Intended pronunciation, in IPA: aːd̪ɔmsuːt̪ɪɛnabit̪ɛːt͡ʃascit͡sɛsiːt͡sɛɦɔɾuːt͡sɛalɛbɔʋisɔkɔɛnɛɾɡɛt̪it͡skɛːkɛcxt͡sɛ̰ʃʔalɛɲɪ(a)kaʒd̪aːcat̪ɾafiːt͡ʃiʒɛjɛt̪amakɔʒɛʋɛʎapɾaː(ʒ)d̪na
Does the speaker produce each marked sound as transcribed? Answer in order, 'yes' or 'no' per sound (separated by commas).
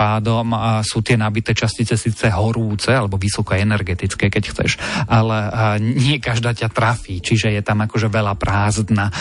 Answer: no, no